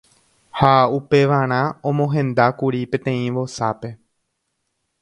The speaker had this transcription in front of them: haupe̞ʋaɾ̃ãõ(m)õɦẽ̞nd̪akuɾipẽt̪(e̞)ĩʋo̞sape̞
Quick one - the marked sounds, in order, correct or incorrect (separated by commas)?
correct, incorrect